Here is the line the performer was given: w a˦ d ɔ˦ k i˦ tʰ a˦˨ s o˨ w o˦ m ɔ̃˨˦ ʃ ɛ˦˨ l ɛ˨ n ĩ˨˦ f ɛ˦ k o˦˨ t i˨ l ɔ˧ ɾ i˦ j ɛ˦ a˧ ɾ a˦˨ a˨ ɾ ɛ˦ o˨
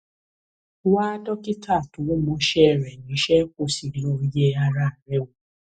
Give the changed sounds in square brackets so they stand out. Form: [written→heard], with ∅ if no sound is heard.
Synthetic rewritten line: w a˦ d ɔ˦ k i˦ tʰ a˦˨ [s→t] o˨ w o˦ m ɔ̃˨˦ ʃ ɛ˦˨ [l→ɾ] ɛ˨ n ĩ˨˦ [f→ʃ] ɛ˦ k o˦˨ [t→s] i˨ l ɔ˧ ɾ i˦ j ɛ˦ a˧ ɾ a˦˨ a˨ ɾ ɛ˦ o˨